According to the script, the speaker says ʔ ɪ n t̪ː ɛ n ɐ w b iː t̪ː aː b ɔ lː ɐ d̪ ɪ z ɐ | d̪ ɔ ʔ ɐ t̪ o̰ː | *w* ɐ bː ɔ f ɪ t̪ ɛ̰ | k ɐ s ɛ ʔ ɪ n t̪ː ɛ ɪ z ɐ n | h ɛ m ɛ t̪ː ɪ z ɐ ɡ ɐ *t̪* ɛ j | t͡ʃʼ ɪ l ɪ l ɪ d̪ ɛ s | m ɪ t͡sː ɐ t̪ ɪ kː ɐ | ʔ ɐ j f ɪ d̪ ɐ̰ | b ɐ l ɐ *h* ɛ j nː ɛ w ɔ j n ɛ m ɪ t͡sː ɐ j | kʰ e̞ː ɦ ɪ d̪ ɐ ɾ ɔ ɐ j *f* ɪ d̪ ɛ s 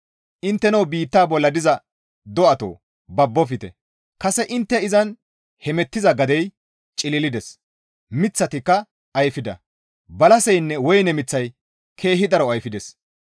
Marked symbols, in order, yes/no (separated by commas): no, no, no, yes